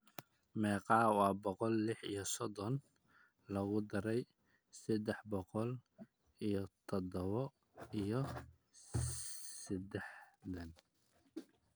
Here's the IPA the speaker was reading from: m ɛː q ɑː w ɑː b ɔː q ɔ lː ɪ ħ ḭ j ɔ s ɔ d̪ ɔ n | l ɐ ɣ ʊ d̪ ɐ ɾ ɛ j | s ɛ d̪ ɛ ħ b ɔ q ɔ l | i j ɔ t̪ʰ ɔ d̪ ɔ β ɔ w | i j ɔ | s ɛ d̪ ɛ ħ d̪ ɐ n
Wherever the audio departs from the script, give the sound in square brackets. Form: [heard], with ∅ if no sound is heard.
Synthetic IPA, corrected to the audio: m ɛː q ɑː w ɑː b [ɔ] q ɔ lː ɪ ħ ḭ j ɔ s ɔ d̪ ɔ n | l ɐ ɣ ʊ d̪ ɐ ɾ ɛ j | s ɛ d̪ ɛ ħ b ɔ q ɔ l | i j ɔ t̪ʰ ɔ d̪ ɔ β ɔ [∅] | i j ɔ | s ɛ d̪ ɛ ħ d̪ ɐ n